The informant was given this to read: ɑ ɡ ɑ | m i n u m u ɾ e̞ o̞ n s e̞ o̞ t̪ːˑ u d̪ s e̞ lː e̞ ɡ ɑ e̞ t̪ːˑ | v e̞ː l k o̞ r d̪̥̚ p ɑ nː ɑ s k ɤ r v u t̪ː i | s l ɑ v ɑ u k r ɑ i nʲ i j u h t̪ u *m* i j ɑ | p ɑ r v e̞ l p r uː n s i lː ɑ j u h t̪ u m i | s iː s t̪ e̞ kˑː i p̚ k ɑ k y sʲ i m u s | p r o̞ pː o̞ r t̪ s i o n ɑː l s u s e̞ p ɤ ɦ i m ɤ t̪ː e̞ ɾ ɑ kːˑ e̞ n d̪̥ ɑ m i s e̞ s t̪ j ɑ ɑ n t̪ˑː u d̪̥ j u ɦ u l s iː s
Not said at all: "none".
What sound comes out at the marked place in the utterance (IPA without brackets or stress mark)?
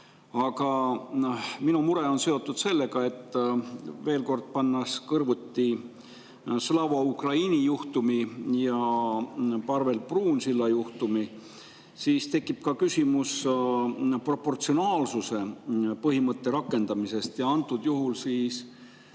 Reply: m